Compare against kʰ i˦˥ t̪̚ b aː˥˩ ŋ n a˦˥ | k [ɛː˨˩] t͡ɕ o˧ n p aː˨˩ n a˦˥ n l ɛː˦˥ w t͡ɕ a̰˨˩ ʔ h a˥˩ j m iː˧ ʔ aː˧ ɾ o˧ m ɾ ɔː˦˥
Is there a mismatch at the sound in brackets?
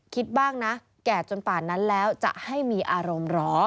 no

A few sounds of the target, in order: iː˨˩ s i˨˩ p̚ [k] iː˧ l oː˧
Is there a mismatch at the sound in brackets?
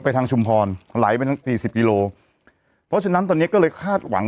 no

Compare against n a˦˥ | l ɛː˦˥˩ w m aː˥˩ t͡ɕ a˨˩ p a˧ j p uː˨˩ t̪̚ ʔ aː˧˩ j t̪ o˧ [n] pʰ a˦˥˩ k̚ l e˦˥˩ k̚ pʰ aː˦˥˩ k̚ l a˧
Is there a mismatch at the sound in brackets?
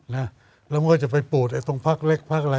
yes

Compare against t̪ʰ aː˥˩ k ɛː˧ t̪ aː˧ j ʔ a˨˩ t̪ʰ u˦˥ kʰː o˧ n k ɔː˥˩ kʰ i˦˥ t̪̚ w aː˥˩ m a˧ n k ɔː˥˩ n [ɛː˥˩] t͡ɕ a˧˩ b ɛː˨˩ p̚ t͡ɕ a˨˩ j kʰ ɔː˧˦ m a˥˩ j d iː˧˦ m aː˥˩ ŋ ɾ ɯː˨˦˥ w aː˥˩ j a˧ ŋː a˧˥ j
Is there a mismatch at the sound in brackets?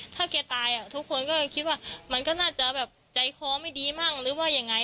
yes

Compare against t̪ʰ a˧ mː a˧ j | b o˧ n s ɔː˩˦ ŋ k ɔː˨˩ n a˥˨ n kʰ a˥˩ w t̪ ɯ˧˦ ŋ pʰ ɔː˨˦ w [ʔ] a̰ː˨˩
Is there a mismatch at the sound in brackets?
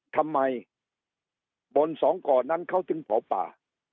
yes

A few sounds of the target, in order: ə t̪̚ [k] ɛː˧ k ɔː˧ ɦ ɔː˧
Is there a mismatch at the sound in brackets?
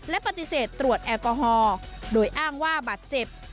yes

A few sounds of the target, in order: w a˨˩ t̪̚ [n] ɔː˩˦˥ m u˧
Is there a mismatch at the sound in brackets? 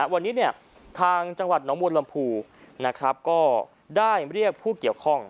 no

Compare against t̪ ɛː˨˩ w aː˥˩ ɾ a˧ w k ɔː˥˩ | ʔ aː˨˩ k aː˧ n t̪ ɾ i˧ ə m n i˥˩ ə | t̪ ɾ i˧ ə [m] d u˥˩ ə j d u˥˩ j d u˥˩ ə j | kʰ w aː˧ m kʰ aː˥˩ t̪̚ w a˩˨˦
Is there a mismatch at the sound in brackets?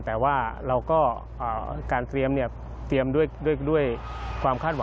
no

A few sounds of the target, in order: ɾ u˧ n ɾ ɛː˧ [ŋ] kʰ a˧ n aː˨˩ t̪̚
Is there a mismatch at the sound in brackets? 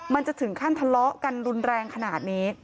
no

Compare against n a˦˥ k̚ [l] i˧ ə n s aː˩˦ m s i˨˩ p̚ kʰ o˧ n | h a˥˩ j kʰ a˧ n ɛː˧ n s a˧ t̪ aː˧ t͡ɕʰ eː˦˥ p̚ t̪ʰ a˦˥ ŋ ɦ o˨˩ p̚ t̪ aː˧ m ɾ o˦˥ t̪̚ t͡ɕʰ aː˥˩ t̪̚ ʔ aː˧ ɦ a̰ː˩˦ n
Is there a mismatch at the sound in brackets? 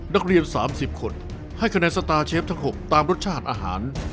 yes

